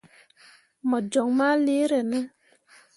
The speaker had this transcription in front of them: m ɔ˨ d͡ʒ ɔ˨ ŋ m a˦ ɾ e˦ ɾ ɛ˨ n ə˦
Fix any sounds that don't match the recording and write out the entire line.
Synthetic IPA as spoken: m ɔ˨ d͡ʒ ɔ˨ ŋ m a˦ l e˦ ɾ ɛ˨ n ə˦